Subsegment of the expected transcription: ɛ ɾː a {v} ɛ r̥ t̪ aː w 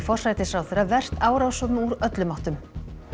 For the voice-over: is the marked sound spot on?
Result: yes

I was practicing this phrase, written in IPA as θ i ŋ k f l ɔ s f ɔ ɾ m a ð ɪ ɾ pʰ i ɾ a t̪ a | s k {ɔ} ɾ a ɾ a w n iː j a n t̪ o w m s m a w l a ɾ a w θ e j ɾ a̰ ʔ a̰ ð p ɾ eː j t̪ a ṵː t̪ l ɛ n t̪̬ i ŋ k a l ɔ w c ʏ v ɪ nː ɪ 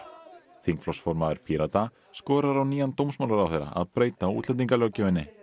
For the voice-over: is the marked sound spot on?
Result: no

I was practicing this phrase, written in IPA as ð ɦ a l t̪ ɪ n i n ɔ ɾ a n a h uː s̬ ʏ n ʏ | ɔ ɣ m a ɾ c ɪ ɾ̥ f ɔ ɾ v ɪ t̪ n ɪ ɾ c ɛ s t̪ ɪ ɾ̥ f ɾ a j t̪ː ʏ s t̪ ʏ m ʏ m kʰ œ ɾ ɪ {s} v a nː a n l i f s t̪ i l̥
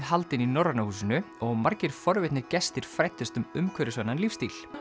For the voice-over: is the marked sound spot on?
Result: yes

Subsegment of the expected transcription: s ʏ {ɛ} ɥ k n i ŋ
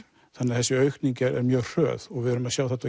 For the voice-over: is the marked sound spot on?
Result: no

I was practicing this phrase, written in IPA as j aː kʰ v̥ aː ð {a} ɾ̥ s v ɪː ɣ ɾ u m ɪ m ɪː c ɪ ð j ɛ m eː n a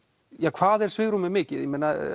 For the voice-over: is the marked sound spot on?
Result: no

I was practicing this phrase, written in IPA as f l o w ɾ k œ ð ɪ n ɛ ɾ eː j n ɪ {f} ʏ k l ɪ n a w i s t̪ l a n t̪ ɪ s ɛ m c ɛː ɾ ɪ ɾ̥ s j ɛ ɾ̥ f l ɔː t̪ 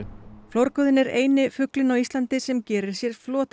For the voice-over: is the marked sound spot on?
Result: yes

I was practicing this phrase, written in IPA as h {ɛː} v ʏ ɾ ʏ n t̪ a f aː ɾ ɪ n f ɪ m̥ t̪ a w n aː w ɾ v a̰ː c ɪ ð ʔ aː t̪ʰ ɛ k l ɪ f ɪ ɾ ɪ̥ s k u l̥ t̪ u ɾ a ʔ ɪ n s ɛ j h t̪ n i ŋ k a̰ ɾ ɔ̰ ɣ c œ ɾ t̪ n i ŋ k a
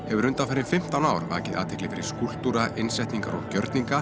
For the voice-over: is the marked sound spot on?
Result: no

